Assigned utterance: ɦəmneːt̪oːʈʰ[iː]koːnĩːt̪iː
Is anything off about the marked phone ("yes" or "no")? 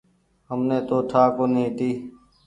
yes